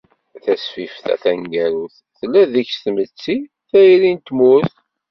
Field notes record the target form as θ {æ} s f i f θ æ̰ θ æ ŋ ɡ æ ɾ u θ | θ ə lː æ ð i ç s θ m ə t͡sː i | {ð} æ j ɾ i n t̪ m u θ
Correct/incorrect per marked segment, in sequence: correct, incorrect: θ

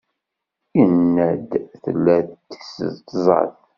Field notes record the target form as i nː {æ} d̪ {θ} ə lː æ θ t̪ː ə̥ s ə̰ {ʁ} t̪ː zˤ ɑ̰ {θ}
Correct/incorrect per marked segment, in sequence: correct, correct, incorrect: ð, correct

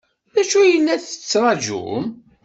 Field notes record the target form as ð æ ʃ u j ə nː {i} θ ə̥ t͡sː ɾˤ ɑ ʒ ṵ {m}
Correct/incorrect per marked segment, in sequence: incorrect: æ, correct

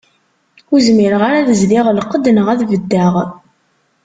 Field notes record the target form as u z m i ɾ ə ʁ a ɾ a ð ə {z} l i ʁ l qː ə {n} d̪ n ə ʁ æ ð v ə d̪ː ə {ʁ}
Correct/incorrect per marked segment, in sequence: correct, incorrect: none, correct

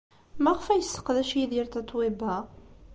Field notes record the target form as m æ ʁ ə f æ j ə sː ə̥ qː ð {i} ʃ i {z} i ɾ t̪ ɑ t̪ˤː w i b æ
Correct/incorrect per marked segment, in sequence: incorrect: æ, incorrect: ð

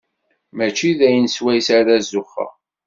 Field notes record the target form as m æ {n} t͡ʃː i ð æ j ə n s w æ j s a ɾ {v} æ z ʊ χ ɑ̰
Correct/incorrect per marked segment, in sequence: incorrect: none, incorrect: ð

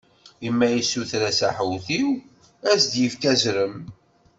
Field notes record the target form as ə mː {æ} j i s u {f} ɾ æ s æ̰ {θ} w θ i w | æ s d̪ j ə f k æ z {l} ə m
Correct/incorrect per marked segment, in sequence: correct, incorrect: θ, incorrect: ħ, incorrect: ɾ

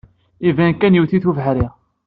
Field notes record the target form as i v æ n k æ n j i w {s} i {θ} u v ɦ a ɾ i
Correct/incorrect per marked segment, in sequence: incorrect: θ, correct

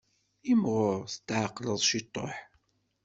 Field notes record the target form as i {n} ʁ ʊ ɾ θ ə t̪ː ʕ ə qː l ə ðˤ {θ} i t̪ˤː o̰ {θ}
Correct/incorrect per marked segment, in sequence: incorrect: m, incorrect: ʃ, incorrect: ħ

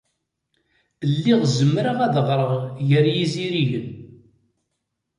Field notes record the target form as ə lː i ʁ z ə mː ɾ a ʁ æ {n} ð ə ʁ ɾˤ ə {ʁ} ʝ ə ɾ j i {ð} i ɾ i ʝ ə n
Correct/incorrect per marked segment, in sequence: incorrect: none, correct, incorrect: z

